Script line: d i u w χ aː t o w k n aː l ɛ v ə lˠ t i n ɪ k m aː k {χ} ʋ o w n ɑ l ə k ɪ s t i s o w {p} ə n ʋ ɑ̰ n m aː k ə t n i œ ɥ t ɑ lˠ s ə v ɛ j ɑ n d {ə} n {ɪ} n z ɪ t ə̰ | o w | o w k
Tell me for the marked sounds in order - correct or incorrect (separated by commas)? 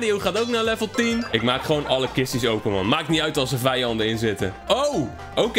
correct, correct, correct, correct